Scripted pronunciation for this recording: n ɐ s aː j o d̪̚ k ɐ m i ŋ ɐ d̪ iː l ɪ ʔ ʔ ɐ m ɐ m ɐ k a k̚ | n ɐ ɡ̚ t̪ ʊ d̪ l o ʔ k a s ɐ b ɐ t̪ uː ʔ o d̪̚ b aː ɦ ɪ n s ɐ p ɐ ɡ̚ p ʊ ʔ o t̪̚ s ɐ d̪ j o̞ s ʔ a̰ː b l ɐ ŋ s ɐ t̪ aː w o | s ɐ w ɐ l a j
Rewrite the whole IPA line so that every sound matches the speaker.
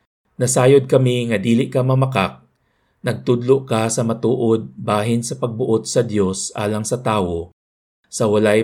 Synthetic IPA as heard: n ɐ s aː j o d̪̚ k ɐ m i ŋ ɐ d̪ iː l ɪ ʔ k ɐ m ɐ m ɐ k a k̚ | n ɐ ɡ̚ t̪ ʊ d̪ l o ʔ k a s ɐ m ɐ t̪ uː ʔ o d̪̚ b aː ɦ ɪ n s ɐ p ɐ ɡ̚ b ʊ ʔ o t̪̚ s ɐ d̪ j o̞ s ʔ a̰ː l ɐ ŋ s ɐ t̪ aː w o | s ɐ w ɐ l a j